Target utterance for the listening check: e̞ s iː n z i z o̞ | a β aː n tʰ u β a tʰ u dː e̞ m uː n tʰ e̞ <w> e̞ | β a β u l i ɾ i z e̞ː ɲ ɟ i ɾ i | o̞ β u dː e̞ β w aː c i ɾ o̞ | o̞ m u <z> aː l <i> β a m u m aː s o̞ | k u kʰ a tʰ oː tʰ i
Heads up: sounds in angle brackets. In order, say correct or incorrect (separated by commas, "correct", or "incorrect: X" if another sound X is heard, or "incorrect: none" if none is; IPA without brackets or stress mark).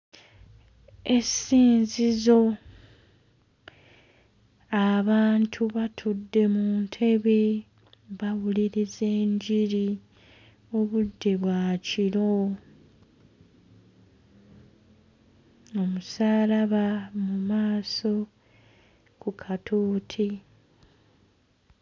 incorrect: β, incorrect: s, incorrect: a